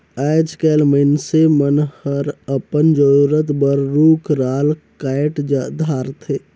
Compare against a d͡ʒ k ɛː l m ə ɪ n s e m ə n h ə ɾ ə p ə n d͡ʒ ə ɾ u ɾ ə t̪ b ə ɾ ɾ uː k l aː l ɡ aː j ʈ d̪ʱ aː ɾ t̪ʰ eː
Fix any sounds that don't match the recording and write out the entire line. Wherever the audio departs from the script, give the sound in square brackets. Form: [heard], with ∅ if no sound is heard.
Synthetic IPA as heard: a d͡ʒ k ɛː l m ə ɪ n s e m ə n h ə ɾ ə p ə n d͡ʒ ə ɾ u ɾ ə t̪ b ə ɾ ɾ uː k [ɾ] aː l [k] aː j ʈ d̪ʱ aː ɾ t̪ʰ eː